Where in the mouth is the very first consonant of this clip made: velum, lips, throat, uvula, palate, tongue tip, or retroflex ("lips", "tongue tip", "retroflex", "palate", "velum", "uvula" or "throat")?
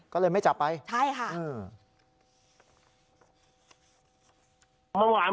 velum